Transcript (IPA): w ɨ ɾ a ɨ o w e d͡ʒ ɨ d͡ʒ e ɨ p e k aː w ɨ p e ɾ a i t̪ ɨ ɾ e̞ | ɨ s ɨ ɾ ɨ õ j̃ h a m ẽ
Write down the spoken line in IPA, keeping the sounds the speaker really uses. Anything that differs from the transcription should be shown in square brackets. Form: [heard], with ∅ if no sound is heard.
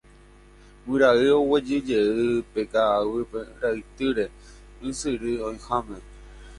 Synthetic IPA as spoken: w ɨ ɾ a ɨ o w e d͡ʒ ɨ d͡ʒ e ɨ p e k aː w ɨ p e ɾ a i t̪ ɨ ɾ e̞ | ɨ s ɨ ɾ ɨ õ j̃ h a m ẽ